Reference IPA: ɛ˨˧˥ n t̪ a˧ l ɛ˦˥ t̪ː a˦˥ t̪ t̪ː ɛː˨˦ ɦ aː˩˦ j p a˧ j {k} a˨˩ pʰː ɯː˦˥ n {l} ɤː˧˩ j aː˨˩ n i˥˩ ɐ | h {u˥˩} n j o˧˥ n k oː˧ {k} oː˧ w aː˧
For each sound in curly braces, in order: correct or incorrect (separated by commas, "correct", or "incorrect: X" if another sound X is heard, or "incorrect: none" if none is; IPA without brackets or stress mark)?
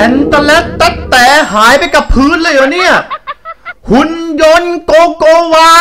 correct, correct, incorrect: u˧˥, correct